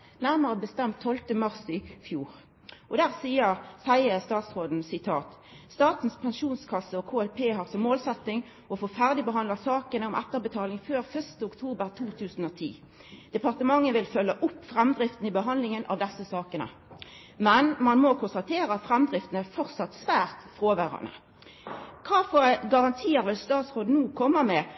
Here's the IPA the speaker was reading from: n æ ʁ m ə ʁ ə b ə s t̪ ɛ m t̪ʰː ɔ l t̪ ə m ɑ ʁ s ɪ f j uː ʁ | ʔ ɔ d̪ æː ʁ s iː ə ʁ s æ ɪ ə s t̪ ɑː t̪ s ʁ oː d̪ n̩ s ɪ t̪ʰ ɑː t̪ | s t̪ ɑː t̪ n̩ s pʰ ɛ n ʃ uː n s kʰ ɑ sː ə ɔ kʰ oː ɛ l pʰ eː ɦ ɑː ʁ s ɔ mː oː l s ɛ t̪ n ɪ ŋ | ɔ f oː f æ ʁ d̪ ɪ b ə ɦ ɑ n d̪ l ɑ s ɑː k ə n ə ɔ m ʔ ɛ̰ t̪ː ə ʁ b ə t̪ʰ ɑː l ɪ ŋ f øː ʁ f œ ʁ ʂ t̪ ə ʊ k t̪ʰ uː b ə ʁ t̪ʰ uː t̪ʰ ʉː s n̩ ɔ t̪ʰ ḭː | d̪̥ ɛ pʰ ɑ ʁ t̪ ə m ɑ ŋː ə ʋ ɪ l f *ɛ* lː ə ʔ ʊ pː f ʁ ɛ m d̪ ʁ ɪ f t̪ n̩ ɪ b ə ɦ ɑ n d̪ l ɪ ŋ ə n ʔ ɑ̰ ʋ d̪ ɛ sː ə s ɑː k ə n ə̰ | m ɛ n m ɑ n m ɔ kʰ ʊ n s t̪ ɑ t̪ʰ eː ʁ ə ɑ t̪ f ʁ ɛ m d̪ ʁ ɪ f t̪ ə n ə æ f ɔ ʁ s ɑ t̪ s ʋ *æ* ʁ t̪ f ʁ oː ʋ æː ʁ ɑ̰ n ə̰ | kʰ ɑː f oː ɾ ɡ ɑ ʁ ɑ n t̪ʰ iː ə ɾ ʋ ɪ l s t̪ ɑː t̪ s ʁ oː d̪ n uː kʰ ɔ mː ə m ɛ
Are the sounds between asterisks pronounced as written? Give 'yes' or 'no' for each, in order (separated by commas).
no, no